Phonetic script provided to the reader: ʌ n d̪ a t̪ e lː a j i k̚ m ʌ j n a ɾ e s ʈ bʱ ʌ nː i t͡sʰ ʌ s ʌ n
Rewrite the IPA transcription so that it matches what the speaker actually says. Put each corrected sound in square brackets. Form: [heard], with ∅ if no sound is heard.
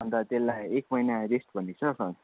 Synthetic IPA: ʌ n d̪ a t̪ e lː a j [e] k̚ m ʌ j n a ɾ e s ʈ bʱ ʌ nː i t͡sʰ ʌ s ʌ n